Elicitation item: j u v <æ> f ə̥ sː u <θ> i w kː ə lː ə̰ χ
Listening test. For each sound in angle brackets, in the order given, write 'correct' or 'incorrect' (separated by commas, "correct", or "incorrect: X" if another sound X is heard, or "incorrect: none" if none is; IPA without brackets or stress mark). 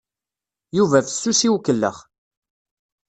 correct, incorrect: s